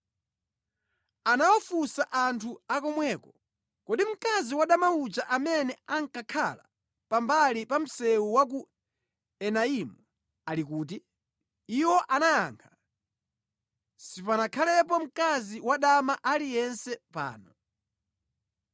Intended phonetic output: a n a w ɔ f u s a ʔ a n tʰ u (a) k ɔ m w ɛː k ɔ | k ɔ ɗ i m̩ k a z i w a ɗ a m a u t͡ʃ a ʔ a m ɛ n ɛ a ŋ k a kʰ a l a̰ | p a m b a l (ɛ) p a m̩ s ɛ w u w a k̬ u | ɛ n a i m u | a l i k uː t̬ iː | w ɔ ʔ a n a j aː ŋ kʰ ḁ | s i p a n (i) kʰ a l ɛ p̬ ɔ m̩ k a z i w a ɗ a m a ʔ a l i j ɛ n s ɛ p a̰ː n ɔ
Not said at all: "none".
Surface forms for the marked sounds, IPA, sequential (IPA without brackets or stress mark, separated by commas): a, i, a